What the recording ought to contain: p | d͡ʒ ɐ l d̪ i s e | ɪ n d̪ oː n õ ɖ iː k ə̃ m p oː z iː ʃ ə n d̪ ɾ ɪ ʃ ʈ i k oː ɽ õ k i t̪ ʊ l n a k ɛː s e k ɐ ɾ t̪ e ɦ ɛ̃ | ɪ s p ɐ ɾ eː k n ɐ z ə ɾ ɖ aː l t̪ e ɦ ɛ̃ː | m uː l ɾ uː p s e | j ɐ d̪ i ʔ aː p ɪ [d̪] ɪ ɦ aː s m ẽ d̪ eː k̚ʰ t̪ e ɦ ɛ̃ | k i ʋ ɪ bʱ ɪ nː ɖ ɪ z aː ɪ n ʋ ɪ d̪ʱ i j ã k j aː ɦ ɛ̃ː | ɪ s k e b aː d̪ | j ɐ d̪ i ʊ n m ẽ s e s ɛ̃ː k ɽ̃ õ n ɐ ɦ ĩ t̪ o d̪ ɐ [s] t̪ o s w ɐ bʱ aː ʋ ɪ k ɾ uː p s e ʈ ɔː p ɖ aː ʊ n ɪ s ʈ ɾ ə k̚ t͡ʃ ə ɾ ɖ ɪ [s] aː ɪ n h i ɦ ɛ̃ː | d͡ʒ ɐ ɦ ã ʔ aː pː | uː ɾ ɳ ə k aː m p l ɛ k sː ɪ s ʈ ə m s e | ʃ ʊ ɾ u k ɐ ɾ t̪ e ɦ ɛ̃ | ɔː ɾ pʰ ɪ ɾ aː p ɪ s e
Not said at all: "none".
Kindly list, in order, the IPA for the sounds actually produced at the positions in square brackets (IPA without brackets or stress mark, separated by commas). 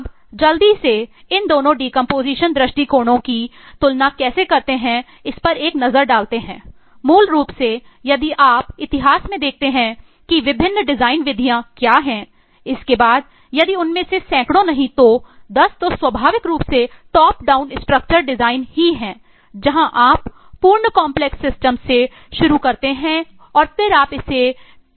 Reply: t̪, s, z